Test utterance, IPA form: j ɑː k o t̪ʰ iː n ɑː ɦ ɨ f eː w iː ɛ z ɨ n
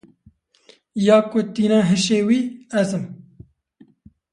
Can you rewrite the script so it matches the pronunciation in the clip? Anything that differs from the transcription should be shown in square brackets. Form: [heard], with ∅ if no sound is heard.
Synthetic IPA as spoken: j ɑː k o [t̪] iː n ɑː ɦ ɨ [ʃ] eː w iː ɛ z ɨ [m]